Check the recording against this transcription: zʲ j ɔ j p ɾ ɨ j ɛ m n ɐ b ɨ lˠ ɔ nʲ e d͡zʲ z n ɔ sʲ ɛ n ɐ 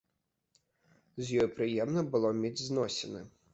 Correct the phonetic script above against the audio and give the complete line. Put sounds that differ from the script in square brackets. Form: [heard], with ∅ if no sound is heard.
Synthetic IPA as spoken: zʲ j ɔ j p ɾ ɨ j ɛ m n ɐ b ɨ lˠ ɔ [mʲ] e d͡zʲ z n ɔ sʲ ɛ n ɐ